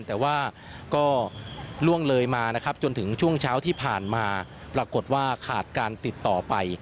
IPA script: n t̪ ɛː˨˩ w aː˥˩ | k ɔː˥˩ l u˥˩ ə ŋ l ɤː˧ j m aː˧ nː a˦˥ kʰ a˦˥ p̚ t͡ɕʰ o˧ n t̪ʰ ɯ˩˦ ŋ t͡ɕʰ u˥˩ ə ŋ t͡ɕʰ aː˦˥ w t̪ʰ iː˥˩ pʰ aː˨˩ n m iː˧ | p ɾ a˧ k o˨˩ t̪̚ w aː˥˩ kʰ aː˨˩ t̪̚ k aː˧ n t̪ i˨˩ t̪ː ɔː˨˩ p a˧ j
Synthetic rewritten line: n t̪ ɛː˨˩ w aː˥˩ | k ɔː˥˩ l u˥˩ ə ŋ l ɤː˧ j m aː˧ n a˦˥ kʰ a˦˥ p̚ t͡ɕ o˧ n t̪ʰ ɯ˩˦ ŋ t͡ɕʰ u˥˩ ə ŋ t͡ɕʰ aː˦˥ w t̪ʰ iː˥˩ pʰ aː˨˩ n m aː˧ | p ɾ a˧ k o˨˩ t̪̚ w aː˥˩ kʰ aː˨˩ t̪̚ k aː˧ n t̪ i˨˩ t̪ː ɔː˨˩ p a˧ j